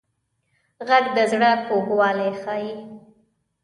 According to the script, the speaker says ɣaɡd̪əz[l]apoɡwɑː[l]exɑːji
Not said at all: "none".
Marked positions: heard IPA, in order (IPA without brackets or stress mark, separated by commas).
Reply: ɽ, l